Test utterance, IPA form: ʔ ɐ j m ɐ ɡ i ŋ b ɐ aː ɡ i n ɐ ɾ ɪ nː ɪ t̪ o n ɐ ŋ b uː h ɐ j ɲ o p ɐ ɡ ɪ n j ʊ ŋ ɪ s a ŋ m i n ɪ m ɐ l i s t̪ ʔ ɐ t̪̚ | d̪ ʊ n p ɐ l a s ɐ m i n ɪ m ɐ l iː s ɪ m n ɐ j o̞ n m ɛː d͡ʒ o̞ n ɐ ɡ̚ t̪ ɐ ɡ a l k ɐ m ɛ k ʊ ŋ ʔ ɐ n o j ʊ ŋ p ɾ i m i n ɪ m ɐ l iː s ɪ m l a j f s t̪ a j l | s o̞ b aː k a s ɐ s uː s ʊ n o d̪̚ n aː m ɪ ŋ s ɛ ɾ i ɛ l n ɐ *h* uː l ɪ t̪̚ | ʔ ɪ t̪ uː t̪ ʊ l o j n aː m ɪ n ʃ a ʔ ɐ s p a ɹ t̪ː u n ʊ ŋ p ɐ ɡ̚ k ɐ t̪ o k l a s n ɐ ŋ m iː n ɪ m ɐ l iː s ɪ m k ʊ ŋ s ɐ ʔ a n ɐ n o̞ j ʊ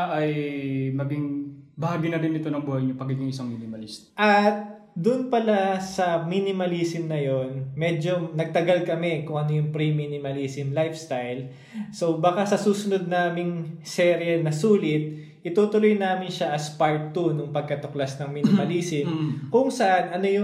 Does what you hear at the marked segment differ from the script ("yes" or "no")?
yes